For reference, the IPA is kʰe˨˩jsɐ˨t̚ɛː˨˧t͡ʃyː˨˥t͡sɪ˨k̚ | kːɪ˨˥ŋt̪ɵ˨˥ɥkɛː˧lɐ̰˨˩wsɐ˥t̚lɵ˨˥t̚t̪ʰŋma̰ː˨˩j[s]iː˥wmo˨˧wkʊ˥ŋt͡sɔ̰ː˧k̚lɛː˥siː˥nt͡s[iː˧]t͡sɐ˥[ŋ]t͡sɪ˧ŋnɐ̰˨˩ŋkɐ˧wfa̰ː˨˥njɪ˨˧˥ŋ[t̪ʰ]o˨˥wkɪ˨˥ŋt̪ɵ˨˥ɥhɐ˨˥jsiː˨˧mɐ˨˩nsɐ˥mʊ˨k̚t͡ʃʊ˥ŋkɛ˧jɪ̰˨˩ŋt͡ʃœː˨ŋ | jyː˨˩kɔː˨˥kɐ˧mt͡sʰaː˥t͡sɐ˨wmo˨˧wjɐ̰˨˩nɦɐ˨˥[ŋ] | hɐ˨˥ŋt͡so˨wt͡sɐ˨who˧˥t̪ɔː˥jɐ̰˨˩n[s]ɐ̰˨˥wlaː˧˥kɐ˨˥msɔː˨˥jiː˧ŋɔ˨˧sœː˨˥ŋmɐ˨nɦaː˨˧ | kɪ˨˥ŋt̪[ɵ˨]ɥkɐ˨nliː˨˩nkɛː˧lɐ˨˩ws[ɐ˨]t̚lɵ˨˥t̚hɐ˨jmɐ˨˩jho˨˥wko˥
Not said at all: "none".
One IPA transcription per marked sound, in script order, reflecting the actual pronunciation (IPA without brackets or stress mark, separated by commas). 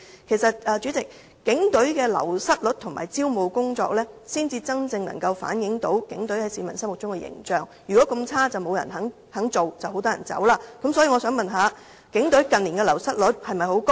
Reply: t͡s, iː˧, ŋ, t̪, ŋ, t͡s, ɵ˨˥, ɐ˥